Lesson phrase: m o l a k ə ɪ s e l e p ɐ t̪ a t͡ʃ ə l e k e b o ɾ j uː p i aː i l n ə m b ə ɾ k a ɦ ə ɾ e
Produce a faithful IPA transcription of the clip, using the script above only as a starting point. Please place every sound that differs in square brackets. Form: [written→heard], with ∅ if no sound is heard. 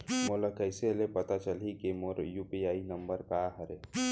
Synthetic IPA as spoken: m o l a k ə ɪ s e l e p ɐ t̪ a t͡ʃ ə l [e→i] k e [b→m] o ɾ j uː p i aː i [l→∅] n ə m b ə ɾ k a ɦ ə ɾ e